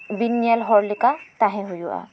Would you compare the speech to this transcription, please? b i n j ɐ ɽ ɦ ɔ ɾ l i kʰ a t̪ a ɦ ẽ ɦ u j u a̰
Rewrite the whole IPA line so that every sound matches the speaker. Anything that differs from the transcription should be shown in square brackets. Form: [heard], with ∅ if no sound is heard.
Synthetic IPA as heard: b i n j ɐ [l] ɦ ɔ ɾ l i [k] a t̪ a ɦ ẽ ɦ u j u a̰